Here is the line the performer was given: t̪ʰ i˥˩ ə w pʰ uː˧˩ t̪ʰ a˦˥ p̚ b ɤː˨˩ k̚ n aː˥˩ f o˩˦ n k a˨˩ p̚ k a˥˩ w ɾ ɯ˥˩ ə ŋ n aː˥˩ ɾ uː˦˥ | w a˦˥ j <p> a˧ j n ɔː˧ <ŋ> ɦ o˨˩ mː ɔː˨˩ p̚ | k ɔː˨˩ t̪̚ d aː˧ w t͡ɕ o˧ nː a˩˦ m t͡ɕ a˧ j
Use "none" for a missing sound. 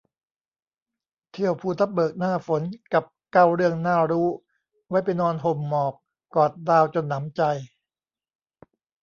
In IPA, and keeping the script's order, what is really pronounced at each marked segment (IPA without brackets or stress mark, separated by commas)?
p, n